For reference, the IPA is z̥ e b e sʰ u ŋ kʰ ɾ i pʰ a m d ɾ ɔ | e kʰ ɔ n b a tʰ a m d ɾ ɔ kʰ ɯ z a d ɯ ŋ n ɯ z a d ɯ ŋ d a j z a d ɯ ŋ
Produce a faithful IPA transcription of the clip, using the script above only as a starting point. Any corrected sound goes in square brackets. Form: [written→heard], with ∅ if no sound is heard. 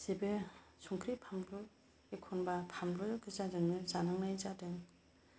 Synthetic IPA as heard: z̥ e b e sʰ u ŋ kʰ ɾ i pʰ a m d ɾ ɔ | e kʰ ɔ n b a [tʰ→pʰ] a m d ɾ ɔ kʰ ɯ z a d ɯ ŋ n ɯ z a [d→n] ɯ ŋ [d→n] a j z a d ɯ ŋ